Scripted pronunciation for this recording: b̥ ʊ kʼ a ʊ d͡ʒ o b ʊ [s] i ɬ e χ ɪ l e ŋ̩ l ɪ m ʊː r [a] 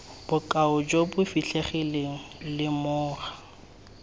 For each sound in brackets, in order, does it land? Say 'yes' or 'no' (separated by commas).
no, yes